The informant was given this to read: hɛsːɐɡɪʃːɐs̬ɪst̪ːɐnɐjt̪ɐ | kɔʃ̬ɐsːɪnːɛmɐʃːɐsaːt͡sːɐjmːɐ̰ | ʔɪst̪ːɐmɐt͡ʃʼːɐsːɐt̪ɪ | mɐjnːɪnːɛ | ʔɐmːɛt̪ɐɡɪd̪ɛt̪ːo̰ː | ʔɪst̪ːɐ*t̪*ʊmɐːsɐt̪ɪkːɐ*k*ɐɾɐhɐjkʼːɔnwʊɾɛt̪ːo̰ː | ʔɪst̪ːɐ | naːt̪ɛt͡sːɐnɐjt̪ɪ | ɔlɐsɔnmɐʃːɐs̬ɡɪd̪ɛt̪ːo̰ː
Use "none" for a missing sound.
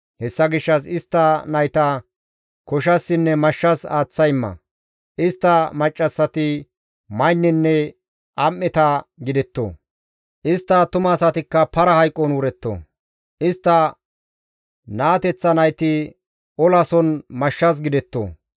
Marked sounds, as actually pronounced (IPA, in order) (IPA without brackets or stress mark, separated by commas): t̪, p